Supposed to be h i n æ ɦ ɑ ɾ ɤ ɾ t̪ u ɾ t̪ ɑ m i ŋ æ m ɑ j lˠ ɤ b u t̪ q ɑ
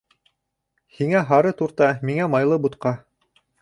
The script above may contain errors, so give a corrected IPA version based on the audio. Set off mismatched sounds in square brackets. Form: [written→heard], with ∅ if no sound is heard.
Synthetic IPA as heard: h i [n→ŋ] æ ɦ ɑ ɾ ɤ [ɾ→∅] t̪ u ɾ t̪ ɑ m i ŋ æ m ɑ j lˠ ɤ b u t̪ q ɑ